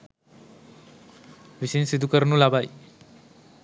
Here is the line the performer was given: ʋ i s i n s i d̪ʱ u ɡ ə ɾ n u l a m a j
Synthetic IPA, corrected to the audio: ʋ i s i n s i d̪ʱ u k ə ɾ n u l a b a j